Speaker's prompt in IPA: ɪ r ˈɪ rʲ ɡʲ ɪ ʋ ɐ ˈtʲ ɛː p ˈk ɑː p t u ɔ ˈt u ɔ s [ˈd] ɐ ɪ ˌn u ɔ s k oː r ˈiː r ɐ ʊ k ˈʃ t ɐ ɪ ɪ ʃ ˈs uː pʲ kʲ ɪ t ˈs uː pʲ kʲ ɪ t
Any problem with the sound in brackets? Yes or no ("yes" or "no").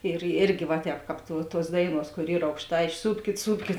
no